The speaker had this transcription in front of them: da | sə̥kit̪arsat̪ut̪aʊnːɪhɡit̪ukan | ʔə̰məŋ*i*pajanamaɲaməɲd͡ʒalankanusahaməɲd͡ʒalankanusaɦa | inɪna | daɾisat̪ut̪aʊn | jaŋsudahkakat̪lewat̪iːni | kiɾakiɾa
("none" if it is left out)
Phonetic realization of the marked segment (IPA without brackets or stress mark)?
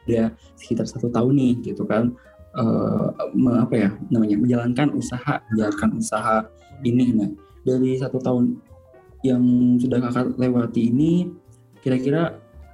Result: a